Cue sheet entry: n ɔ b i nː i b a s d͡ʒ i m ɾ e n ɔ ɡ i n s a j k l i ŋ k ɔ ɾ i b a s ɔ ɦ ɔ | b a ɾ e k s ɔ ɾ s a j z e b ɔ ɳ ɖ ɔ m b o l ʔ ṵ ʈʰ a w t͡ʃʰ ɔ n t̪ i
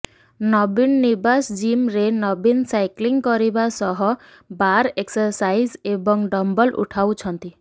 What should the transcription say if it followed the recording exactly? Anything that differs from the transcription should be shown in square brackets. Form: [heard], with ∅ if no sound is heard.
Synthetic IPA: n ɔ b i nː i b a s d͡ʒ i m ɾ e n ɔ [b] i n s a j k l i ŋ k ɔ ɾ i b a s ɔ ɦ ɔ | b a ɾ e k s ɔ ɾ s a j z e b ɔ [ŋ] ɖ ɔ m b [ɔ] l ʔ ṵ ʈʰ a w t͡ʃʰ ɔ n t̪ i

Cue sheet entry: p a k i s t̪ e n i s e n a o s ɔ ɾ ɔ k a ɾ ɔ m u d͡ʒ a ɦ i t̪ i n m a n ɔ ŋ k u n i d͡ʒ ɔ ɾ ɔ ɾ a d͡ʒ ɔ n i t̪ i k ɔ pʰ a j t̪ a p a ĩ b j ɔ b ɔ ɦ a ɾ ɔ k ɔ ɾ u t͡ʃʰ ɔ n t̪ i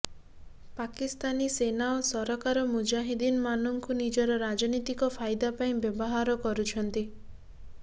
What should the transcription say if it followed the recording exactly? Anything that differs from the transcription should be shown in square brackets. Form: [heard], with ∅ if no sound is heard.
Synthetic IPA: p a k i s t̪ [a] n i s e n a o s ɔ ɾ ɔ k a ɾ ɔ m u d͡ʒ a ɦ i [d̪] i n m a n ɔ ŋ k u n i d͡ʒ ɔ ɾ ɔ ɾ a d͡ʒ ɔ n i t̪ i k ɔ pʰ a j [d̪] a p a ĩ b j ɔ b ɔ ɦ a ɾ ɔ k ɔ ɾ u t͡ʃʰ ɔ n t̪ i

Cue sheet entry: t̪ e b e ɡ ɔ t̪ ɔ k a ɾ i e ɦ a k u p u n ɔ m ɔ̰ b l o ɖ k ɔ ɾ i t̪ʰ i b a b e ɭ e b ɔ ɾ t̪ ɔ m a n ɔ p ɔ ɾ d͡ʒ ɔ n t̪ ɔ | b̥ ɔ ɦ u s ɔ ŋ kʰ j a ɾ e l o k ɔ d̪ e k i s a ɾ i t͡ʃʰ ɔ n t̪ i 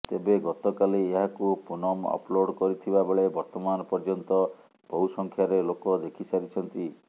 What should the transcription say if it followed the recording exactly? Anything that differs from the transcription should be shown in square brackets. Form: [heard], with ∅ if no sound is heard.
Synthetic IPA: t̪ e b e ɡ ɔ t̪ ɔ k a [l] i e ɦ a k u p u n ɔ m ɔ̰ [p] l o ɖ k ɔ ɾ i t̪ʰ i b a b e ɭ e b ɔ ɾ t̪ ɔ m a n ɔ p ɔ ɾ d͡ʒ ɔ n t̪ ɔ | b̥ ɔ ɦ u s ɔ ŋ kʰ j a ɾ e l o k ɔ d̪ e [kʰ] i s a ɾ i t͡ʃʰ ɔ n t̪ i

